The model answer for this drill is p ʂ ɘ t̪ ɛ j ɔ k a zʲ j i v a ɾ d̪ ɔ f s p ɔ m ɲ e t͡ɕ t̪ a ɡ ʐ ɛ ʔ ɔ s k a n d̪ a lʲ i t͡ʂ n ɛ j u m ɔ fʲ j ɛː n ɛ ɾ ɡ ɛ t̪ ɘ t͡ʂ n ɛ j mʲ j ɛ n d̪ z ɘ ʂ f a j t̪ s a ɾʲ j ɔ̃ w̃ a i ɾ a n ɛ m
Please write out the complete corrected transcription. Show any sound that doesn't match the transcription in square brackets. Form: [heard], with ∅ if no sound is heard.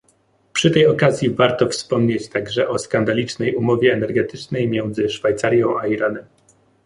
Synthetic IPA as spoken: p ʂ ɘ t̪ ɛ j ɔ k a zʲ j i v a ɾ [t̪] ɔ f s p ɔ m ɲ e t͡ɕ t̪ a ɡ ʐ ɛ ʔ ɔ s k a n d̪ a lʲ i t͡ʂ n ɛ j u m ɔ [vʲ] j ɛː n ɛ ɾ ɡ ɛ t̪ ɘ t͡ʂ n ɛ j mʲ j ɛ n d̪ z ɘ ʂ f a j t̪ s a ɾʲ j ɔ̃ w̃ a i ɾ a n ɛ m